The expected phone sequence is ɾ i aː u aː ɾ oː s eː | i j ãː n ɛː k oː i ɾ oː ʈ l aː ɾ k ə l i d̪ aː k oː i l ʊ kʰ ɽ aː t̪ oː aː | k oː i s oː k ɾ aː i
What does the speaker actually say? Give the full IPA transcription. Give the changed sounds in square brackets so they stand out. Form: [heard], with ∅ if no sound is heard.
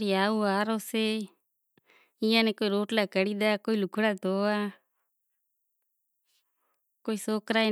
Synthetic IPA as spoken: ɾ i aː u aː ɾ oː s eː | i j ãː n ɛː k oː i ɾ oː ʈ l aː [∅] k ə [ɽ] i d̪ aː k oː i l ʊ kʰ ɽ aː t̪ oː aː | k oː i s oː k ɾ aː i